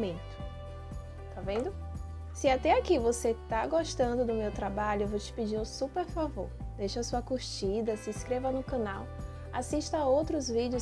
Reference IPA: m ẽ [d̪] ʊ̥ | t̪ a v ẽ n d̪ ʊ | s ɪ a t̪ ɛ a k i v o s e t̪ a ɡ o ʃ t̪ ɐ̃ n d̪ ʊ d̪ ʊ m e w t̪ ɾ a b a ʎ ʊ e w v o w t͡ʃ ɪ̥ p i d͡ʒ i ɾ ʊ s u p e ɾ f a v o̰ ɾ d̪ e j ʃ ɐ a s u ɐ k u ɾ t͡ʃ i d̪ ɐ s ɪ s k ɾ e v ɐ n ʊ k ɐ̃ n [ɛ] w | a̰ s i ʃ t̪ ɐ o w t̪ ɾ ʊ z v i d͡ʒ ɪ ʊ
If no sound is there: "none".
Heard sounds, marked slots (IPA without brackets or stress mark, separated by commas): t̪, a